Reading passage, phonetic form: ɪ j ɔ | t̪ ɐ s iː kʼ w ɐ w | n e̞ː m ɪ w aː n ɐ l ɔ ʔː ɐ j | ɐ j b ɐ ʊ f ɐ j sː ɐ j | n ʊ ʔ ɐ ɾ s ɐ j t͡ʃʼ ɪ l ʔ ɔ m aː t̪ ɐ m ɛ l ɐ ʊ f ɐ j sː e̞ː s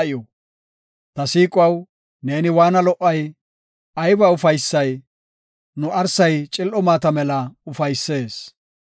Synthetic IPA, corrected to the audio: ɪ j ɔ | t̪ ɐ s iː kʼ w ɐ w | n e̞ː n ɪ w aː n ɐ l ɔ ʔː ɐ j | ɐ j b ɐ ʊ f ɐ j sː ɐ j | n ʊ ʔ ɐ ɾ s ɐ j t͡ʃʼ ɪ l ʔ ɔ m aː t̪ ɐ m ɛ l ɐ ʊ f ɐ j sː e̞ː s